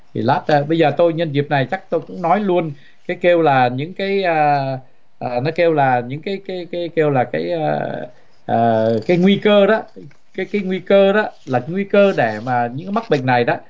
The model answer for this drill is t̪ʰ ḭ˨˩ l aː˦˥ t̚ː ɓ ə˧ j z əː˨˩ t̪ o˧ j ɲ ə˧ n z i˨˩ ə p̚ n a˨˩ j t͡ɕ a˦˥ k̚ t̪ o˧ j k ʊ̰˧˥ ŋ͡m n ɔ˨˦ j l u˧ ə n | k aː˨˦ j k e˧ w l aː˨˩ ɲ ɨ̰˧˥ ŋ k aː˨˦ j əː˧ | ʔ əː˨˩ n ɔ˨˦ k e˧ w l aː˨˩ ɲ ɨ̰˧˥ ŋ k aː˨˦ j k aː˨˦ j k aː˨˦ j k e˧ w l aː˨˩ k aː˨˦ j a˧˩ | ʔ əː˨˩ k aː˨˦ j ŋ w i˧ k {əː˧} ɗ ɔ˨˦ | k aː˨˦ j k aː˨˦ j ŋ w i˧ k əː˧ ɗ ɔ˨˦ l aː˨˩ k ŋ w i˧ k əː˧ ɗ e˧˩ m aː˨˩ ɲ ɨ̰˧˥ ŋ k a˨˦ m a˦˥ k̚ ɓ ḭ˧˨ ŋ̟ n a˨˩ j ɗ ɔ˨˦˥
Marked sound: correct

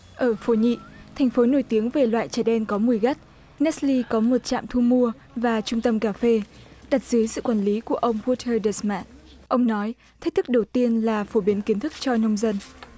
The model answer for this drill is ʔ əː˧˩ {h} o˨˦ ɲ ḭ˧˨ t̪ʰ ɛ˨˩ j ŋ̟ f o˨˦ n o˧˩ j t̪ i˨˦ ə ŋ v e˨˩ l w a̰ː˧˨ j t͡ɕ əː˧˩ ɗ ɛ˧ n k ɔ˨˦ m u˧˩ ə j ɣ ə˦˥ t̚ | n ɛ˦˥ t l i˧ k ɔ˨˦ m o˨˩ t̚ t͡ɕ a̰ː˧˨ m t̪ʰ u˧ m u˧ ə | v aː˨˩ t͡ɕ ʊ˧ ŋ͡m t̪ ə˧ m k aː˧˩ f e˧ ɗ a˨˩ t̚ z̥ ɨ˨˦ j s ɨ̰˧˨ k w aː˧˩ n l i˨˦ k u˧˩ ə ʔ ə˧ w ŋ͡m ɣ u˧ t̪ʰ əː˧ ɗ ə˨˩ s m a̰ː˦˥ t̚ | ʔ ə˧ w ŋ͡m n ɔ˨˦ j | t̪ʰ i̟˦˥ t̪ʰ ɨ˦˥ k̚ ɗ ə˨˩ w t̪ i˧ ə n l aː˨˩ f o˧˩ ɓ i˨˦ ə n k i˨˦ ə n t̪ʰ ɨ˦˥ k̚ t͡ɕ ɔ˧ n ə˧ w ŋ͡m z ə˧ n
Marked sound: incorrect: f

